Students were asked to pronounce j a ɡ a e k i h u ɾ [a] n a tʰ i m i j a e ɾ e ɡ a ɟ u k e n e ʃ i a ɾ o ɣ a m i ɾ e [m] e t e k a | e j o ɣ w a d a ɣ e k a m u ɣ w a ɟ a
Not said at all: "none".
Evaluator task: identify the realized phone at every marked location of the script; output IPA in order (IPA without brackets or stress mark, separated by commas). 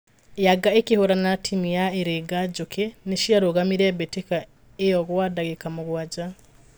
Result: a, b